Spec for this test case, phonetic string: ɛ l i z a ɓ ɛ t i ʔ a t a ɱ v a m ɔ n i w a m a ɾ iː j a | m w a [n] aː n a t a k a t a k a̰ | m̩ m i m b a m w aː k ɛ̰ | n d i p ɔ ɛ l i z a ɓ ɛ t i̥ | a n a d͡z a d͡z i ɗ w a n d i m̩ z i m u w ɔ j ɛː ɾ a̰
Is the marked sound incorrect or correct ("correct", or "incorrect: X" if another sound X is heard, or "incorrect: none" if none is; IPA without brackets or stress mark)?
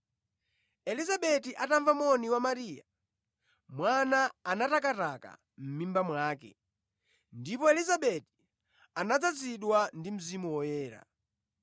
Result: correct